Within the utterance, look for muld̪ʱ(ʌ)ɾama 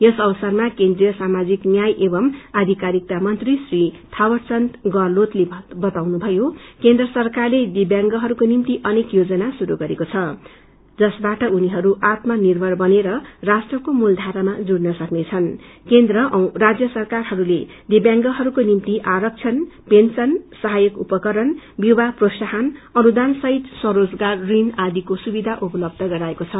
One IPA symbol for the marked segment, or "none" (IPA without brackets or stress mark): a